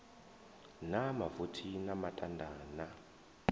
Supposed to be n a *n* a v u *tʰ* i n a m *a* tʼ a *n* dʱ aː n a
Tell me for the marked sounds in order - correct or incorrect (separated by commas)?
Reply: incorrect, correct, correct, correct